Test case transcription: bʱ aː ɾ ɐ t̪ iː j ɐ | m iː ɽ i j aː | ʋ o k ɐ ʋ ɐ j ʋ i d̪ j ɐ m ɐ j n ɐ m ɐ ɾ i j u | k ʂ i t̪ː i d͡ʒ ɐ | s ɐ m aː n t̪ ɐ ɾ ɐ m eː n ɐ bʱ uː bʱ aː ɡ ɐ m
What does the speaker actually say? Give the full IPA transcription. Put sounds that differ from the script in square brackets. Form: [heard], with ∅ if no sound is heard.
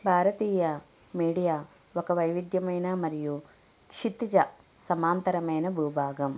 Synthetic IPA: bʱ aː ɾ ɐ t̪ iː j ɐ | m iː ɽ i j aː | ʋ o k ɐ ʋ ɐ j ʋ i d̪ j ɐ m ɐ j n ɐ m ɐ ɾ i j u | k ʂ i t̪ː i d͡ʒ ɐ | s ɐ m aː n t̪ ɐ ɾ ɐ m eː n ɐ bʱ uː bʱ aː ɡ ɐ m